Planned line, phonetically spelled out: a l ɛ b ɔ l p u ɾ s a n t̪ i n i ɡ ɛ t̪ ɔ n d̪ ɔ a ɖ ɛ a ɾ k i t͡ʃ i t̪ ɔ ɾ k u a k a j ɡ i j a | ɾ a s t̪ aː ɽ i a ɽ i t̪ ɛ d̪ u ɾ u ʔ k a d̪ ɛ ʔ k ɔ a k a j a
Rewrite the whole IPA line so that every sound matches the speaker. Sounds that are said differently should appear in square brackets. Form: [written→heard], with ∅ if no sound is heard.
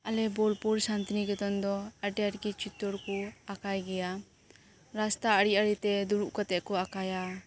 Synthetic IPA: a l ɛ b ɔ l p u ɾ s a n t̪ i n i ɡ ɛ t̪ ɔ n d̪ ɔ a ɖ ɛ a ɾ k i t͡ʃ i t̪ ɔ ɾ k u a k a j ɡ [i→ɛ] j a | ɾ a s t̪ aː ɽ i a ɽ i t̪ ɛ d̪ u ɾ u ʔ k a [d̪→t̪] ɛ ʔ k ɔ a k a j a

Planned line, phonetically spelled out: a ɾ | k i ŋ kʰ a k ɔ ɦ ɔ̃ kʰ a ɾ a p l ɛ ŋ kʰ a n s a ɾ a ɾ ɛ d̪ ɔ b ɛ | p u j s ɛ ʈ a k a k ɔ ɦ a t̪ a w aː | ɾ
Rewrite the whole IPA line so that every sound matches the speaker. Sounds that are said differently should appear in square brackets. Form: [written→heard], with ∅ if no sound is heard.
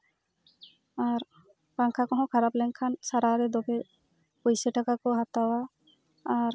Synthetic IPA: a ɾ | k [i→a] ŋ kʰ a k ɔ ɦ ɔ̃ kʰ a ɾ a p l ɛ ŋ kʰ a n s a ɾ a ɾ ɛ d̪ ɔ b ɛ | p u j s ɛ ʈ a k a k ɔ ɦ a t̪ a w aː | ɾ

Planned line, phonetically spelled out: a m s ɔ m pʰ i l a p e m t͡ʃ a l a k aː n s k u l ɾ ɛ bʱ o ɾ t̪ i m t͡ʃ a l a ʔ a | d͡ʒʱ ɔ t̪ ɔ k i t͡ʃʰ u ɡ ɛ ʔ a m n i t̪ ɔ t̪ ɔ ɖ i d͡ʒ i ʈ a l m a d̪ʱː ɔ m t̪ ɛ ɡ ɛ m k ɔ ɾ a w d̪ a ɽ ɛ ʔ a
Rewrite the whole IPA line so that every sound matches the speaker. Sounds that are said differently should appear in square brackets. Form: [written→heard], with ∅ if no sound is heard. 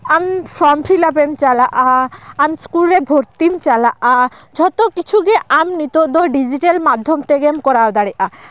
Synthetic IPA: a m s ɔ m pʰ i l a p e m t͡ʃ a l a [k→ʔ] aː [n→m] s k u l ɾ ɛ bʱ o ɾ t̪ i m t͡ʃ a l a ʔ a | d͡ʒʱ ɔ t̪ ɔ k i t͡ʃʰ u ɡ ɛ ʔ a m n i t̪ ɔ [t̪→d̪] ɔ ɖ i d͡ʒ i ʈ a l m a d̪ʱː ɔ m t̪ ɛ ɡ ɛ m k ɔ ɾ a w d̪ a ɽ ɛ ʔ a

